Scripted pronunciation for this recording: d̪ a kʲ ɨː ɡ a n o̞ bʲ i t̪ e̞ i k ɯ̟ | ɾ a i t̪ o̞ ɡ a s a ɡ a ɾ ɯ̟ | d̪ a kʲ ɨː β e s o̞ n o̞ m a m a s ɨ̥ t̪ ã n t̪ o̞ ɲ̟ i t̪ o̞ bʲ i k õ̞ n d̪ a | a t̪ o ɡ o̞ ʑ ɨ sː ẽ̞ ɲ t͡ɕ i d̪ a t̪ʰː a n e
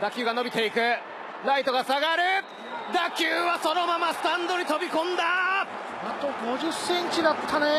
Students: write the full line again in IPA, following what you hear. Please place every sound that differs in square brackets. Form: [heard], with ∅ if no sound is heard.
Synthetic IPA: d̪ a kʲ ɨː ɡ a n o̞ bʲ i t̪ e̞ i k ɯ̟ | ɾ a i t̪ o̞ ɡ a s a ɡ a ɾ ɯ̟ | d̪ a kʲ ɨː β [a] s o̞ n o̞ m a m a s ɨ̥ t̪ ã n [d̪] o̞ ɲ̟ i t̪ o̞ bʲ i k õ̞ n d̪ a | a t̪ o ɡ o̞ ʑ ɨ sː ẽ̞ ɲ t͡ɕ i d̪ a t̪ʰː a n e